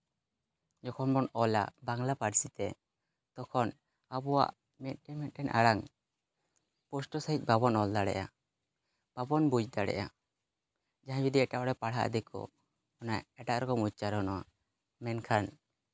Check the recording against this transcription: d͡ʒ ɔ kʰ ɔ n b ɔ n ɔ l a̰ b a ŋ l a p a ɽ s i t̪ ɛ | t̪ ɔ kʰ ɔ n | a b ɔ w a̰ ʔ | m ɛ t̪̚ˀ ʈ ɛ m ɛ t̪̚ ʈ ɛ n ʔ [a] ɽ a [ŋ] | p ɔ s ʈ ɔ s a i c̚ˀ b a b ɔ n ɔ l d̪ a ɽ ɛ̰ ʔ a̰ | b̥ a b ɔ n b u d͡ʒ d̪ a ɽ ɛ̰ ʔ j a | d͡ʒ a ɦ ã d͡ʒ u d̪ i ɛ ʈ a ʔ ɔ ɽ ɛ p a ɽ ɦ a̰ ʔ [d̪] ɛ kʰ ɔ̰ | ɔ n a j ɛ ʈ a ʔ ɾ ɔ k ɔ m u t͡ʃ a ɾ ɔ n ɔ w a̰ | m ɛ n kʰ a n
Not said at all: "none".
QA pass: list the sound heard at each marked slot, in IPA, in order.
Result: a, ŋ, d̪

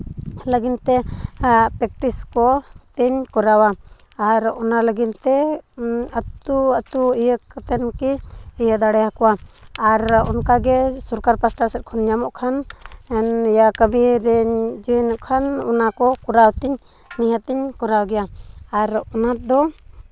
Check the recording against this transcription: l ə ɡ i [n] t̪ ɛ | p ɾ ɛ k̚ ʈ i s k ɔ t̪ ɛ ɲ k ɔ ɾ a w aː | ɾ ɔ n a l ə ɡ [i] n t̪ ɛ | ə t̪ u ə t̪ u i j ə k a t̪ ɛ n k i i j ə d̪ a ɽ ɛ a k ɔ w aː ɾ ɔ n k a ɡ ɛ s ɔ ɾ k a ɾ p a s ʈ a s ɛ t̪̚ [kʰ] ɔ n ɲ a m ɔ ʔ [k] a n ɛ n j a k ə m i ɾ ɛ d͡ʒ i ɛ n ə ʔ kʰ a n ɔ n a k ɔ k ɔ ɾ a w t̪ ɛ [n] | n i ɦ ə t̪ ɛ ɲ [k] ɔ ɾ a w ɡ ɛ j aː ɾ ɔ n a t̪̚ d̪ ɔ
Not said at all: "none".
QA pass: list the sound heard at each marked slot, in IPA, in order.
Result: n, i, kʰ, kʰ, ɲ, k

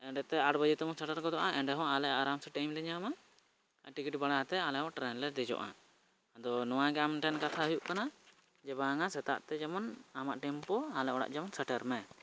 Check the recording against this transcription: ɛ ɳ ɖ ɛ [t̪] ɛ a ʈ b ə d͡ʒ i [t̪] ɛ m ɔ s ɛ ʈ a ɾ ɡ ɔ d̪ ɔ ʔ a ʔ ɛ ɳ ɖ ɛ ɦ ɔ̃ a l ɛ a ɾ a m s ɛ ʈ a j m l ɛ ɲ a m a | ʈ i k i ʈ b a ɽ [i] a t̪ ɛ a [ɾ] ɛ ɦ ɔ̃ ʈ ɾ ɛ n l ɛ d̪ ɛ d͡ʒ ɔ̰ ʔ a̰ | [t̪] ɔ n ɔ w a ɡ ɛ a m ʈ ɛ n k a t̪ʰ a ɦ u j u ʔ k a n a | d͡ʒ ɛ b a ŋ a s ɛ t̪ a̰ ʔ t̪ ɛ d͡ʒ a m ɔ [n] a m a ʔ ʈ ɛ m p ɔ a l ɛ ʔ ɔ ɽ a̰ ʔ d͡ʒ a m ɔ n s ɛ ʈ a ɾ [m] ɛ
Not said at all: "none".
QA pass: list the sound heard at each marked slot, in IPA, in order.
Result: t̪, t̪, a, l, d̪, n, m

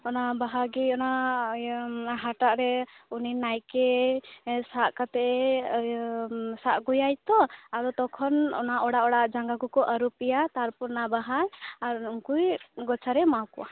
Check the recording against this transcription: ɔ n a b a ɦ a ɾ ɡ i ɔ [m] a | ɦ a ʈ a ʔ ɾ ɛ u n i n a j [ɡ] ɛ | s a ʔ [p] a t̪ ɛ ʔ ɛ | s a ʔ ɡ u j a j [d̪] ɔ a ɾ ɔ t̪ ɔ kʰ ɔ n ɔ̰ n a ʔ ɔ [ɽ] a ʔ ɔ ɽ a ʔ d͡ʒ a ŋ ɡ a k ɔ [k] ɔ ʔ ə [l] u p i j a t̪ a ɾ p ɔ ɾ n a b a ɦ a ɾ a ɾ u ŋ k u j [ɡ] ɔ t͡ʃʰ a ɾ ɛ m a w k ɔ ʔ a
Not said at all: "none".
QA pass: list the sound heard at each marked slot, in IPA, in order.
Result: n, k, k, t̪, ɽ, k, ɾ, ɡ

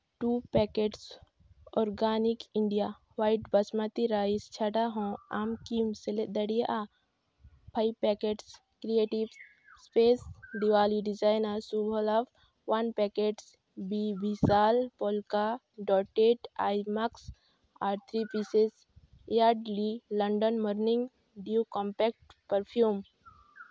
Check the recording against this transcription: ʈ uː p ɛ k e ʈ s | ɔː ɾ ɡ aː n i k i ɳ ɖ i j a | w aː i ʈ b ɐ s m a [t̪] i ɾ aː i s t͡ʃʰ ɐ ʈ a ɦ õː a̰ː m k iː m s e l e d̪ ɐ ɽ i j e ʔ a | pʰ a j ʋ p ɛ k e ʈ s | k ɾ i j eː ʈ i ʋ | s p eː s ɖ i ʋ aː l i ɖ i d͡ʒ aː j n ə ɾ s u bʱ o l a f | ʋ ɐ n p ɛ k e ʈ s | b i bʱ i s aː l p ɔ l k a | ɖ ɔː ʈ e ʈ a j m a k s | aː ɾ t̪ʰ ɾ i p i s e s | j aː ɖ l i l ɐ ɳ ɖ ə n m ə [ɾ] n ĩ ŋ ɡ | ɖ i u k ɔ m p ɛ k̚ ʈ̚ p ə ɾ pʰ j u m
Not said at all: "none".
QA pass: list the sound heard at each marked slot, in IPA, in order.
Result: t̪, ɾ

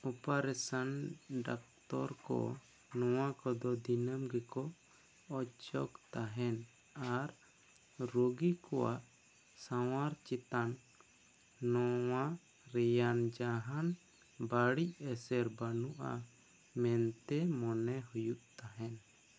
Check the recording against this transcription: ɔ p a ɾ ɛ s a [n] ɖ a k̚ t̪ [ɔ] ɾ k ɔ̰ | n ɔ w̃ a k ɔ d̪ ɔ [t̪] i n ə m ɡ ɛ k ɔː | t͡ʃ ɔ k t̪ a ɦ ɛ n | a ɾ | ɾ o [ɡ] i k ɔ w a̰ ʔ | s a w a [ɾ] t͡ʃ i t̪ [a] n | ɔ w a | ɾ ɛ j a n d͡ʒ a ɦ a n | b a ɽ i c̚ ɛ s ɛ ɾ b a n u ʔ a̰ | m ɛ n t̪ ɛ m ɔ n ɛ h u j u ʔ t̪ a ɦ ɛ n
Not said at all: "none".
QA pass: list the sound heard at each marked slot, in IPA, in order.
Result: n, ɔ, d̪, ɡ, ɾ, a

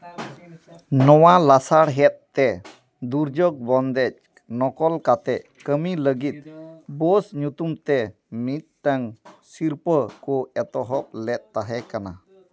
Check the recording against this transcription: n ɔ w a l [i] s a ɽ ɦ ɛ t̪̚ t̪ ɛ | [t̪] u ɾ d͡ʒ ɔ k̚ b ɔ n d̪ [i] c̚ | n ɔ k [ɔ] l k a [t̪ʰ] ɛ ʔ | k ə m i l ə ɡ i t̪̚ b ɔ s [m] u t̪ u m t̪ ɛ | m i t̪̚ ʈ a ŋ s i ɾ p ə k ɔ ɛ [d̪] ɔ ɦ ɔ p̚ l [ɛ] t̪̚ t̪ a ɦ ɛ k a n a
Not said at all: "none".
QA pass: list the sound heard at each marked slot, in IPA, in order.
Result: a, d̪, ɛ, ɔ, t̪, ɲ, t̪, ɛ

